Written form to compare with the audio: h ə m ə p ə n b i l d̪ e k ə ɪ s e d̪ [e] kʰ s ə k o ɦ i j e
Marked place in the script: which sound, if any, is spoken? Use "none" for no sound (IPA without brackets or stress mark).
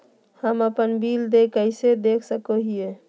e